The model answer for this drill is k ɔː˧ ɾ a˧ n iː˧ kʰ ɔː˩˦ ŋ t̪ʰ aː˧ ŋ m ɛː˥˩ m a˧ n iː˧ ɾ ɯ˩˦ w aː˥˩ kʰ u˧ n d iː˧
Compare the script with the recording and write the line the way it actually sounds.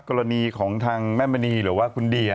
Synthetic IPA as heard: k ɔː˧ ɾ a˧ n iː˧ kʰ ɔː˩˦ ŋ t̪ʰ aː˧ ŋ m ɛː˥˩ m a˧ n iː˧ ɾ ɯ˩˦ w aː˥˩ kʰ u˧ n d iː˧